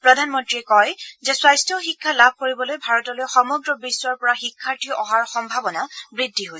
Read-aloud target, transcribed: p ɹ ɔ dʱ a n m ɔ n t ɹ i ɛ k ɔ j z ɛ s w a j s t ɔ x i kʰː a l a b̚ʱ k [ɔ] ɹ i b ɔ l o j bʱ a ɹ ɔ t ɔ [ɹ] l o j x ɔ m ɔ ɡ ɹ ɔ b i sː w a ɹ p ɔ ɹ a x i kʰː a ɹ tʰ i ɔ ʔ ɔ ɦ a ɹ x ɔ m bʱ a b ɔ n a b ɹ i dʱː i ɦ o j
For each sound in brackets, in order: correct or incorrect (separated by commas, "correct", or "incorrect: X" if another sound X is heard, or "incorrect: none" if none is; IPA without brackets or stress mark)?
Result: incorrect: o, incorrect: none